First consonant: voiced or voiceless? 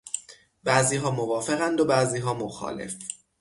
voiced